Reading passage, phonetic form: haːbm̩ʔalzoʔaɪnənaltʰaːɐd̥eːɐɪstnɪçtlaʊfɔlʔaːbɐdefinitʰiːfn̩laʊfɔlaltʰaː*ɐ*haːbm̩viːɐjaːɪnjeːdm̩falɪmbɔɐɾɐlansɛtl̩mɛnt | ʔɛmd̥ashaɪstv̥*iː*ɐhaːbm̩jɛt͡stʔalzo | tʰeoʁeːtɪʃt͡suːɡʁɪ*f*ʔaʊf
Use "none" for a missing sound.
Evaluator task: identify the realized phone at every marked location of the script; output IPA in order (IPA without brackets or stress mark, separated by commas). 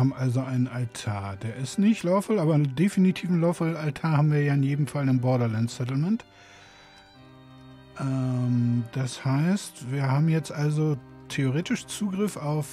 ɐ, iː, f